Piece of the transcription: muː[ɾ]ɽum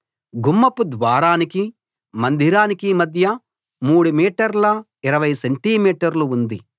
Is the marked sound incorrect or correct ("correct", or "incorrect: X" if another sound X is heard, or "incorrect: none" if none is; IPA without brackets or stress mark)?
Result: incorrect: none